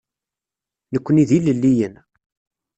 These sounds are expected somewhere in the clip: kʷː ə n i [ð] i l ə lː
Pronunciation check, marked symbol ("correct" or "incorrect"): correct